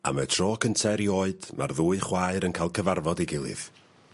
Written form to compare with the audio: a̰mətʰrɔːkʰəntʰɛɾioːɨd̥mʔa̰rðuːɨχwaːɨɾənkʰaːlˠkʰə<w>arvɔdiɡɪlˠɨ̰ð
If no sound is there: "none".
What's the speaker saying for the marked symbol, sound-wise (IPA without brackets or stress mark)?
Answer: v